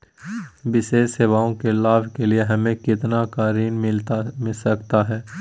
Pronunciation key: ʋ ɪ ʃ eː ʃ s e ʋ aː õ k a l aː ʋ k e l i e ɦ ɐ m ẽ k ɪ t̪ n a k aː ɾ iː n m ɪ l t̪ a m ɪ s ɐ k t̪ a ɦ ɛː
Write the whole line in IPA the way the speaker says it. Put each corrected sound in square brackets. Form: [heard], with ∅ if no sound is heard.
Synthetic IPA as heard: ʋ ɪ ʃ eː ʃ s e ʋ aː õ k [e] l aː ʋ k e l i e ɦ ɐ m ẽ k ɪ t̪ n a k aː ɾ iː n m ɪ l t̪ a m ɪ s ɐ k t̪ a ɦ ɛː